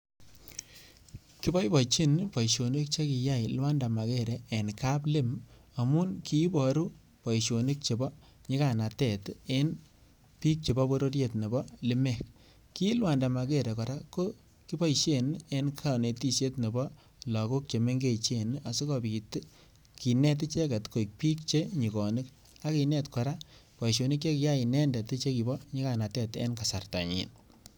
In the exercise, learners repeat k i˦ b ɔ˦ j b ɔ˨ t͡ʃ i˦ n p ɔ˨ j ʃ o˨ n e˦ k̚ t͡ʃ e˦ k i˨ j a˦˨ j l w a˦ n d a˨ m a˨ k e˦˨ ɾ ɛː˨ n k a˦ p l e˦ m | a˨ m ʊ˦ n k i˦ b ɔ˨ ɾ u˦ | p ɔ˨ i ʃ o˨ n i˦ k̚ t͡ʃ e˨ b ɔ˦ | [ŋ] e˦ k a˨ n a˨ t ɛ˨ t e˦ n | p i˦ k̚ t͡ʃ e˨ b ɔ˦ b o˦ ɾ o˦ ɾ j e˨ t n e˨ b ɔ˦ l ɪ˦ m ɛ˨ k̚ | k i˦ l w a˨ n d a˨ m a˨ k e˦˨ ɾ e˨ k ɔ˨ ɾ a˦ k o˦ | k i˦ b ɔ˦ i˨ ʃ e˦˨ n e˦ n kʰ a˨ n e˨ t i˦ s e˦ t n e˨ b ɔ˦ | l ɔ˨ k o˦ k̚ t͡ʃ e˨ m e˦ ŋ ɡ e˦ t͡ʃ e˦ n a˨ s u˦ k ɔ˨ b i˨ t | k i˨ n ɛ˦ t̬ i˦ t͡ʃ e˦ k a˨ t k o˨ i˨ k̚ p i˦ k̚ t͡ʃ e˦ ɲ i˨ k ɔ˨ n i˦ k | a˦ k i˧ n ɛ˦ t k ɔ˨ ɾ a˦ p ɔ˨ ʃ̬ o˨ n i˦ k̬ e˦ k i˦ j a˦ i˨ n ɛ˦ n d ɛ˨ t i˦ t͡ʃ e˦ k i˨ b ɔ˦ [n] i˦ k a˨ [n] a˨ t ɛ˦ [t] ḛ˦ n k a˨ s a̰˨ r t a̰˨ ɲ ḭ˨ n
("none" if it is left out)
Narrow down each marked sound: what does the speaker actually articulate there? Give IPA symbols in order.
ɲ, ɲ, n, t

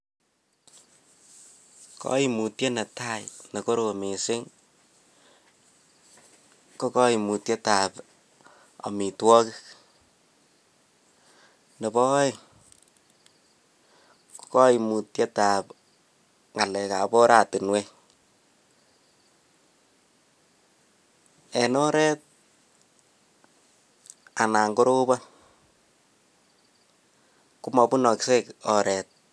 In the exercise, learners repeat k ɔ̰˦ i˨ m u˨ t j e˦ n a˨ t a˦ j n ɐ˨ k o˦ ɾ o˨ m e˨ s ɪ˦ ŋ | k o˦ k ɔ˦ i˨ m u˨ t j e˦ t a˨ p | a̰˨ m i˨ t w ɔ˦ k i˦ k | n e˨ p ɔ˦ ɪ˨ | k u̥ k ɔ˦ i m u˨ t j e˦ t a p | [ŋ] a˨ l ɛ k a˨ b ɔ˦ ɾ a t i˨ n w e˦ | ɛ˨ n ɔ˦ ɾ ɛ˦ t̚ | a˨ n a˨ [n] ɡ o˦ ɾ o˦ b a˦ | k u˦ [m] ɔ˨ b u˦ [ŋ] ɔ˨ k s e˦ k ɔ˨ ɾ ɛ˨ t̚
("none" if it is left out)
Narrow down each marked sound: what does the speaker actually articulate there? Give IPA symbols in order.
ŋ, ŋ, m, n

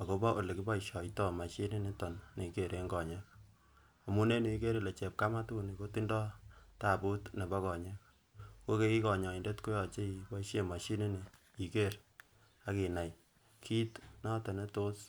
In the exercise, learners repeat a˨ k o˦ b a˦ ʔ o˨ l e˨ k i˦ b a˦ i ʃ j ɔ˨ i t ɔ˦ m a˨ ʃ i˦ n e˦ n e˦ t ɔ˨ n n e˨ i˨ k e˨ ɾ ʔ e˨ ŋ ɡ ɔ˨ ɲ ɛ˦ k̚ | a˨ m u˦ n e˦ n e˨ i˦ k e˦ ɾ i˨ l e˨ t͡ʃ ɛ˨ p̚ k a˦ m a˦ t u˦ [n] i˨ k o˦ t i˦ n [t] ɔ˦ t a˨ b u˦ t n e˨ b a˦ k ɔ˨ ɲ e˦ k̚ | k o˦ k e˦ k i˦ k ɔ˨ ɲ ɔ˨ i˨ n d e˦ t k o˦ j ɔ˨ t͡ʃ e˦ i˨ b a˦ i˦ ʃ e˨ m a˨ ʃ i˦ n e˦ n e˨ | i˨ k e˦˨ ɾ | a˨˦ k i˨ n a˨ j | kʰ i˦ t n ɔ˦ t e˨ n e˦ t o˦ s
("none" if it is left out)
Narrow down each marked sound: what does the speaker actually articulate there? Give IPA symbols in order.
n, d

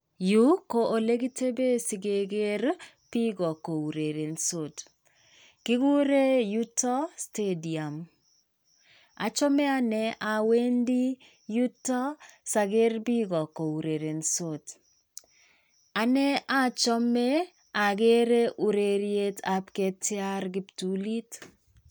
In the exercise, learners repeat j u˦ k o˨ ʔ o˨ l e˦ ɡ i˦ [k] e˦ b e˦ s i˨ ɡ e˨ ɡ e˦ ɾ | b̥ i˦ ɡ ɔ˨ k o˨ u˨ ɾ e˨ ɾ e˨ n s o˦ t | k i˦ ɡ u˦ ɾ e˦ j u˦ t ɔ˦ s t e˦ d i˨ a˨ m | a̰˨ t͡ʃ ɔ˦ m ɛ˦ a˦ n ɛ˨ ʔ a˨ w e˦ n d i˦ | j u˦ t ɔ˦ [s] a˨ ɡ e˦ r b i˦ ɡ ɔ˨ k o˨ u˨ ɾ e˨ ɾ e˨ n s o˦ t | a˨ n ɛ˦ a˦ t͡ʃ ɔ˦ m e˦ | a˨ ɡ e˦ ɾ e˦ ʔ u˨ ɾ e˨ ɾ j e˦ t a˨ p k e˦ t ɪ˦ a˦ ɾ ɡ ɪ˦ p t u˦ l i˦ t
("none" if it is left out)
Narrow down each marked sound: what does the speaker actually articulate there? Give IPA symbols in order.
t, s

